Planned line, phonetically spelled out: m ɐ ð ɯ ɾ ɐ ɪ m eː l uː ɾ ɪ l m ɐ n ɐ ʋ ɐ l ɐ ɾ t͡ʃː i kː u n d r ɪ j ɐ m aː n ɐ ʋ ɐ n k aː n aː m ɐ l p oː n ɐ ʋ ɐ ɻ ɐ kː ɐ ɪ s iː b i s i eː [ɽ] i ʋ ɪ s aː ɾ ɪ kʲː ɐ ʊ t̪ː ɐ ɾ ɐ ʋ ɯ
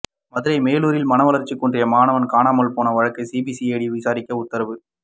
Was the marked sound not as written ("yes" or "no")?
no